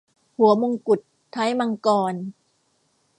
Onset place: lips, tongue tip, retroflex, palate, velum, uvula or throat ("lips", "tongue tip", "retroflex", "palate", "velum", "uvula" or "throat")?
throat